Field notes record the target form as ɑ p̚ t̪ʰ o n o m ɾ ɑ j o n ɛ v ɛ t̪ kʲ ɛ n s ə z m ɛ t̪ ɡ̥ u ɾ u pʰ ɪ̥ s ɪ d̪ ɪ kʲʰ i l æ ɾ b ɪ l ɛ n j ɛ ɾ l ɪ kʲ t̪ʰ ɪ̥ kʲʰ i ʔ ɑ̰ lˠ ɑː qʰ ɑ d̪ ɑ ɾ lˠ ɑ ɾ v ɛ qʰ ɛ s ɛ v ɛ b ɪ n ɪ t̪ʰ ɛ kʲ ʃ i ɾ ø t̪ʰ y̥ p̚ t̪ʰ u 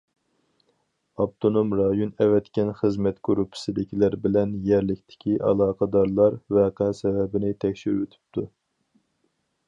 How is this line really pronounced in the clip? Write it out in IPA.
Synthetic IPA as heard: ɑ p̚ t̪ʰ o n o m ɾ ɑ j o n ɛ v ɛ t̪ kʲ ɛ n χ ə z m ɛ t̪ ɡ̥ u ɾ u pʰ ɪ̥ s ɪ d̪ ɪ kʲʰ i l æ ɾ b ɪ l ɛ n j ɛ ɾ l ɪ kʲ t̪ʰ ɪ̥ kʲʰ i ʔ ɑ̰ lˠ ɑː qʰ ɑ d̪ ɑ ɾ lˠ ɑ ɾ v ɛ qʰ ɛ s ɛ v ɛ b ɪ n ɪ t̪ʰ ɛ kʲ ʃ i ɾ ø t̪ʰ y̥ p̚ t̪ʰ u